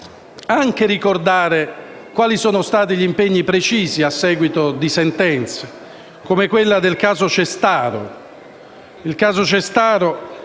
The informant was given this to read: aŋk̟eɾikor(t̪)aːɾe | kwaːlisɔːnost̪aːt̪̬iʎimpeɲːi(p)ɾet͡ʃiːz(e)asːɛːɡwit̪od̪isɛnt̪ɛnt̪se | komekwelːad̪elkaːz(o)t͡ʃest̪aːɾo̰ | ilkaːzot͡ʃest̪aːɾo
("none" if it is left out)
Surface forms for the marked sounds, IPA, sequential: d̪, p, i, o

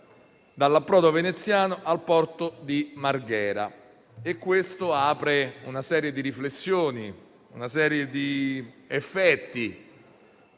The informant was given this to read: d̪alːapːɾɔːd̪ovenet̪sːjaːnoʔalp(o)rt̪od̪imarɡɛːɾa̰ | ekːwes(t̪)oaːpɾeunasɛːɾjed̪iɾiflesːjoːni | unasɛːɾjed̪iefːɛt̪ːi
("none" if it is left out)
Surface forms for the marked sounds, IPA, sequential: ɔ, t̪

